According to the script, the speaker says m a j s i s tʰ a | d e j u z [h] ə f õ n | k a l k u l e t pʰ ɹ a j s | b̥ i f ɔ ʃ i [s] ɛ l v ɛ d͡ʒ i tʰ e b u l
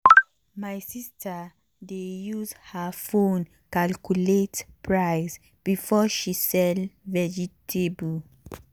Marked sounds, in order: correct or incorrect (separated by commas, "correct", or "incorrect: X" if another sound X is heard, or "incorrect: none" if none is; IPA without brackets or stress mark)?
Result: correct, correct